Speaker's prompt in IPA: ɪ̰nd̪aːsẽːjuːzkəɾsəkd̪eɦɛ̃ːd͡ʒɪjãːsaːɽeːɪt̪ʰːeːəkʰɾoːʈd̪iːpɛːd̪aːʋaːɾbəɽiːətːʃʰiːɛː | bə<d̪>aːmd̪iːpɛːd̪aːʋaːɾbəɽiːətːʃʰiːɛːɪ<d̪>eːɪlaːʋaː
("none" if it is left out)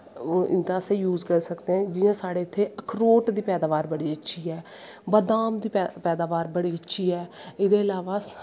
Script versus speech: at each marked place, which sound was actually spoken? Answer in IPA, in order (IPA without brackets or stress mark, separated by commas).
d̪, d̪